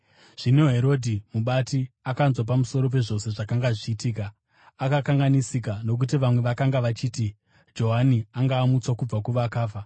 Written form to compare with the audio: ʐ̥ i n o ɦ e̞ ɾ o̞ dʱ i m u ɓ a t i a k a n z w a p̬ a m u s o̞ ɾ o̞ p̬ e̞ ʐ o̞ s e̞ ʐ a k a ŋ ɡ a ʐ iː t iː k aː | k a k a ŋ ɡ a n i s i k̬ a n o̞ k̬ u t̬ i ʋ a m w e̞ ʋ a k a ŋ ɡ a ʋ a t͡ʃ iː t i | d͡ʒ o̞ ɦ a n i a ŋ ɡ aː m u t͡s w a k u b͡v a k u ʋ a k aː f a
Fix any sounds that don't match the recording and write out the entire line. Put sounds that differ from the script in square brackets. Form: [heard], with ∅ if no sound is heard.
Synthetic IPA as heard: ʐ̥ i n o ɦ e̞ ɾ o̞ dʱ i m u ɓ a t i a k a n z w a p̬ a m u s o̞ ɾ o̞ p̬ e̞ ʐ o̞ s e̞ ʐ a k a ŋ ɡ a ʐ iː t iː k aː | k a k a ŋ ɡ a n i s i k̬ a n o̞ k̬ u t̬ i ʋ a m w e̞ ʋ a k a ŋ ɡ a ʋ a t͡ʃ iː t i | d͡ʒ o̞ ɦ a n i a ŋ ɡ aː m u t͡s w a k u b͡v a k u ʋ a k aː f a